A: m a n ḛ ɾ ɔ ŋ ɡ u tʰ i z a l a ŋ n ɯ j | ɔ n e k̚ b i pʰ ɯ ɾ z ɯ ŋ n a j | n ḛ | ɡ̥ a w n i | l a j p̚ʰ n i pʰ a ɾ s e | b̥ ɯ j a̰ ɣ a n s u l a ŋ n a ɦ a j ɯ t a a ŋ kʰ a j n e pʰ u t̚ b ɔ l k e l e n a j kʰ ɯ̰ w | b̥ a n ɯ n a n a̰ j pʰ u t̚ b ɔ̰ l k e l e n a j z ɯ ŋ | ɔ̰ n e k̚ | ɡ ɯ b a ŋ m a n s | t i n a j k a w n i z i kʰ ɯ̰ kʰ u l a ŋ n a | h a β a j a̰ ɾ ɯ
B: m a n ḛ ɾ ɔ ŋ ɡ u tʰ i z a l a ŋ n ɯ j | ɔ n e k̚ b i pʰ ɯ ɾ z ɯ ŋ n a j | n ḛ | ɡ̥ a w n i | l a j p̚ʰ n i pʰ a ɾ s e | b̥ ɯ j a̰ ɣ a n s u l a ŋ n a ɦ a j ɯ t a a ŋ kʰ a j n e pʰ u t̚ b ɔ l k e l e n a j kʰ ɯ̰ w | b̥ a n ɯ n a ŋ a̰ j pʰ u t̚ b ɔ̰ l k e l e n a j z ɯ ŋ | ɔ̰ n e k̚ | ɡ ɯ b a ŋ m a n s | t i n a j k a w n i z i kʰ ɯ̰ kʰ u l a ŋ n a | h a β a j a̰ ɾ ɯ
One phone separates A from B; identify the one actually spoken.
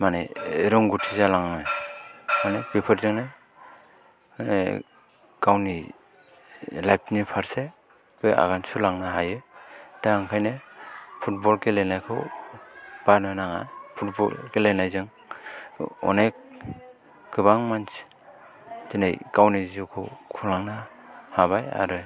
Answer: B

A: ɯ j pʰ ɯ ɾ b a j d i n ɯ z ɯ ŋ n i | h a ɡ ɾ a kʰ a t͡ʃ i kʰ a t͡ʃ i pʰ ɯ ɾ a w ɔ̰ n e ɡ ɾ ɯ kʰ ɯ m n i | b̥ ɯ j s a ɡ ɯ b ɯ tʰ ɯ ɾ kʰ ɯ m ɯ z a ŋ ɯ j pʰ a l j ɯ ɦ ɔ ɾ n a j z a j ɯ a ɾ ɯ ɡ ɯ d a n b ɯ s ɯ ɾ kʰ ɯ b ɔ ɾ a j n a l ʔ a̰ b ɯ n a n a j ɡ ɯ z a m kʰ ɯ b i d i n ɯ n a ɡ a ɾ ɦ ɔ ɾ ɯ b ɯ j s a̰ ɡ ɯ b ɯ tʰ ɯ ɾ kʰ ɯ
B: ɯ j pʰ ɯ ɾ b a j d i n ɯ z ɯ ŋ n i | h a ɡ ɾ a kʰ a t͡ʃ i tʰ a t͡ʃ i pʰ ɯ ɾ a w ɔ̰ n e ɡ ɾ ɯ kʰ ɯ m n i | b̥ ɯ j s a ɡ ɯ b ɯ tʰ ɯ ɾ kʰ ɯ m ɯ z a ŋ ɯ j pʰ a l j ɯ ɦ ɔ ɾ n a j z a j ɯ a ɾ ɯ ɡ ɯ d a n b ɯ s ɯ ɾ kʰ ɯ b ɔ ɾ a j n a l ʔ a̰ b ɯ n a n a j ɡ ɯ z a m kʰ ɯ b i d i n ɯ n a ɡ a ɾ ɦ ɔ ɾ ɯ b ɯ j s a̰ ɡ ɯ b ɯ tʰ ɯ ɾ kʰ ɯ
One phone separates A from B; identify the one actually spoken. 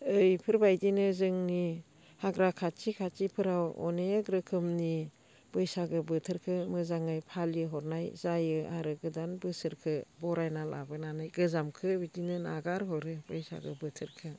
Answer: A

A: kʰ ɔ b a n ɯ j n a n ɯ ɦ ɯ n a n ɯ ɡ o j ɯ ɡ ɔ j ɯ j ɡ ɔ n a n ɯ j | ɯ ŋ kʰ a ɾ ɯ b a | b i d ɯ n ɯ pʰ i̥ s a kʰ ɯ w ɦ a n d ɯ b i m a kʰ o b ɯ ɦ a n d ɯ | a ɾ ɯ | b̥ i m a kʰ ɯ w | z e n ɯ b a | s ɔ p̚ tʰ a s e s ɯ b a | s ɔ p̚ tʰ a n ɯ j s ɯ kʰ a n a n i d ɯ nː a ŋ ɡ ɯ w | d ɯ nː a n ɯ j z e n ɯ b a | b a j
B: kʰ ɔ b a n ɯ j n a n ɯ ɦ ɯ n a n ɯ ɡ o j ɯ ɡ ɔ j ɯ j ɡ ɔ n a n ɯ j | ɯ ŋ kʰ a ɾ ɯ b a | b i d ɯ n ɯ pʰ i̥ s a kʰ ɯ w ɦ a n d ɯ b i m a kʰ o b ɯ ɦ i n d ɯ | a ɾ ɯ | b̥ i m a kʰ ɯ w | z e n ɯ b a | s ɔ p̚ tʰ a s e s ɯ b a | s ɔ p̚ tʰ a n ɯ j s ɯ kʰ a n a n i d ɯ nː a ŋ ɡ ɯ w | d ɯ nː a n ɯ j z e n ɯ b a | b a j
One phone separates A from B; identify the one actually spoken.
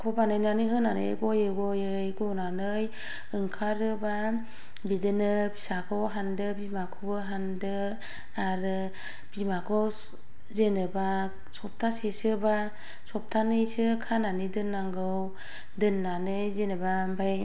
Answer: A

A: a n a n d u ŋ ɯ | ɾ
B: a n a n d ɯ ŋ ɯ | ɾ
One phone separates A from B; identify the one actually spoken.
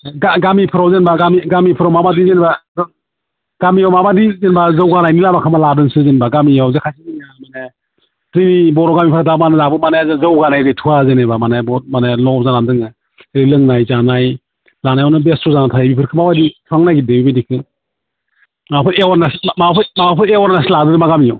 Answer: B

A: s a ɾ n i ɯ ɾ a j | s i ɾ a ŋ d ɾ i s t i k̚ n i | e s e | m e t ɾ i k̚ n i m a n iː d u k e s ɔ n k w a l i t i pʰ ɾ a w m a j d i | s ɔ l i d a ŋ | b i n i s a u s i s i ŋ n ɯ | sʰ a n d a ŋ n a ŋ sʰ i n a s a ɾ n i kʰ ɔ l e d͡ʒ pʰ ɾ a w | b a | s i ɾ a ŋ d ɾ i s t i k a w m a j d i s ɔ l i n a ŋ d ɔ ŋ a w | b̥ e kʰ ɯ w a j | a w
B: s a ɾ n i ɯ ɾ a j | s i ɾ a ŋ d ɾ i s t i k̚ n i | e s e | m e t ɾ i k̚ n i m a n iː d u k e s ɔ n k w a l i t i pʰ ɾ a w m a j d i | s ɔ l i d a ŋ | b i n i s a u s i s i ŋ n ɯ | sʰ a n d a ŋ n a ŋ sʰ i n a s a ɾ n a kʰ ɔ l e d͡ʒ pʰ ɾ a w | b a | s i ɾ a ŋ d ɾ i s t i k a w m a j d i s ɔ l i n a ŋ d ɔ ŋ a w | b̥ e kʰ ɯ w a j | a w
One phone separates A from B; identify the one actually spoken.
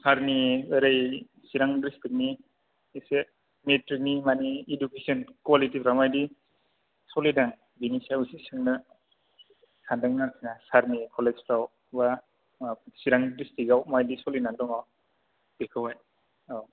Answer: A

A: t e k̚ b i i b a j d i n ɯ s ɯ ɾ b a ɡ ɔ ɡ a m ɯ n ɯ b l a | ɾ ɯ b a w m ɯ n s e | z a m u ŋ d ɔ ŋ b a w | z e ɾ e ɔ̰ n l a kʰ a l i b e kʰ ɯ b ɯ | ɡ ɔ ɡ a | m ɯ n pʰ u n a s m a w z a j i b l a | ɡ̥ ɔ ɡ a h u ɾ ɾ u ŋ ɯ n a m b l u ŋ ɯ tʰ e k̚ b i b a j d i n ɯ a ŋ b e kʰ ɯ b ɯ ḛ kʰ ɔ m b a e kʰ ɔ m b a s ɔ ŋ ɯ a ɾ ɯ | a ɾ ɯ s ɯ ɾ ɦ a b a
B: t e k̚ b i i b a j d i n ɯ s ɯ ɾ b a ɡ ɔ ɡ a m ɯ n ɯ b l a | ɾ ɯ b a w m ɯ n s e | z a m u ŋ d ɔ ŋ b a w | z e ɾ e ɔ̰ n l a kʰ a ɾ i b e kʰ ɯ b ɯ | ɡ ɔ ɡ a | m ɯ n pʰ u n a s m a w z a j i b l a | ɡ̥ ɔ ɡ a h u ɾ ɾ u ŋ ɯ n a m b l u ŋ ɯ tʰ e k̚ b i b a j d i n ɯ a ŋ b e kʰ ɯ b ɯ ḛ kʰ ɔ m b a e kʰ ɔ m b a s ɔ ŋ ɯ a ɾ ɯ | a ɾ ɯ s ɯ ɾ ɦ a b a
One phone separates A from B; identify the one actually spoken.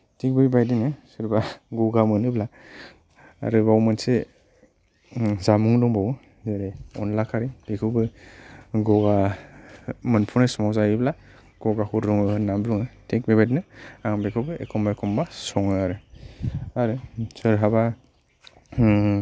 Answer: B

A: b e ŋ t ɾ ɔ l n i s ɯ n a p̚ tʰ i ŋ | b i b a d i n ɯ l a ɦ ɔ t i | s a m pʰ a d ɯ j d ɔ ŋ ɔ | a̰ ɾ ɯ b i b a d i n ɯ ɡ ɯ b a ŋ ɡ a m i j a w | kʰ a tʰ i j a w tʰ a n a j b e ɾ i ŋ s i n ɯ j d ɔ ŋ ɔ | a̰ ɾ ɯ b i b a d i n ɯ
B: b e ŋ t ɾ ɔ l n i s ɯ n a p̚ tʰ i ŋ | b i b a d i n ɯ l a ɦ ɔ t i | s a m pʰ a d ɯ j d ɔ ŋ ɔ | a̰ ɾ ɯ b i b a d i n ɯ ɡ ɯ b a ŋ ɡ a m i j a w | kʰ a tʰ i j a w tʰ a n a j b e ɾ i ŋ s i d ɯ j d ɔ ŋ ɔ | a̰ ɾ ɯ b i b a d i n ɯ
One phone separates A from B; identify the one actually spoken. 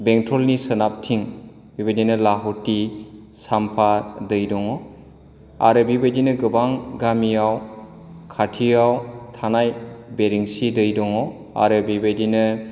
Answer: B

